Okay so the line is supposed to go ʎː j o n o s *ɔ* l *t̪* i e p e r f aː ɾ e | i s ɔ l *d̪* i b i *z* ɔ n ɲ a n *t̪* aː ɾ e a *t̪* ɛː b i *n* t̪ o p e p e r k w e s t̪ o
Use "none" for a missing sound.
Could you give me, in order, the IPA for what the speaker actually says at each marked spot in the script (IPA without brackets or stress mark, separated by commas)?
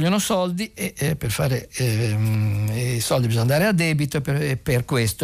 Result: ɔ, d̪, d̪, z, d̪, d̪, none